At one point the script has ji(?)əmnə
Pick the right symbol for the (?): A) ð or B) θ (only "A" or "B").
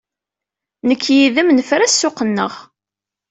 A